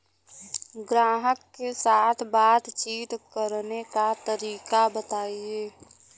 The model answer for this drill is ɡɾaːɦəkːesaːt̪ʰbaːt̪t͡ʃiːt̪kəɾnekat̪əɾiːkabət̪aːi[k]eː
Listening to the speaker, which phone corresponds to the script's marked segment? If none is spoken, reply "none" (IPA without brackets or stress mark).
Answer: none